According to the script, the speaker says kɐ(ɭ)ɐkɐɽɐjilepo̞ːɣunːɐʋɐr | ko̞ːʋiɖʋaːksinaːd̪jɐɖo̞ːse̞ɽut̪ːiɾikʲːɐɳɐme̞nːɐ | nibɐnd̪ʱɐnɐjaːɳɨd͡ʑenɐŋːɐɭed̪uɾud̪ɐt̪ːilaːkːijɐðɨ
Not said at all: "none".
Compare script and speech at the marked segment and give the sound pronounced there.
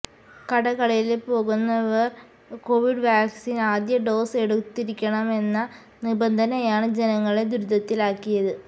ɽ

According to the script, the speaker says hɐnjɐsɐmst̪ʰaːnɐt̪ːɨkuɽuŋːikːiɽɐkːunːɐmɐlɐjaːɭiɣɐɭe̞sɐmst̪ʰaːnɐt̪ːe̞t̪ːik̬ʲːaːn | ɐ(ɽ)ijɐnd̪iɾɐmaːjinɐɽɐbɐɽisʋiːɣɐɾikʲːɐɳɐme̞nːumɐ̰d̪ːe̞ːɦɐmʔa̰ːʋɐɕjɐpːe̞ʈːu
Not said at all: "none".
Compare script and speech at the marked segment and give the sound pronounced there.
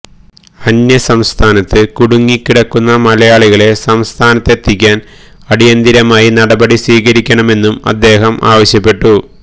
ɽ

